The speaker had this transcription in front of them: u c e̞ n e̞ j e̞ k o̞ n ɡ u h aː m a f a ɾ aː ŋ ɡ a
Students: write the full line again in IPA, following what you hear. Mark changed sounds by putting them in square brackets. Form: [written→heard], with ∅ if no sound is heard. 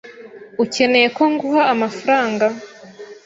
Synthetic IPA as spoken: u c e̞ n e̞ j e̞ k o̞ [n→ŋ] ɡ u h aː m a f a ɾ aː ŋ ɡ a